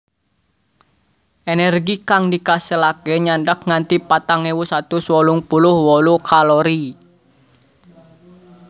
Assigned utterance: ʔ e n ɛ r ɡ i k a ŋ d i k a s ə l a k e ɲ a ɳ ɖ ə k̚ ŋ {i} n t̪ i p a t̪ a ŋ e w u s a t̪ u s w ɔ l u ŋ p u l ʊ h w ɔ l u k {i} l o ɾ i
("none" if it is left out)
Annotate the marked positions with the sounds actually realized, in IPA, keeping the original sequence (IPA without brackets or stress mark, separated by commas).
a, a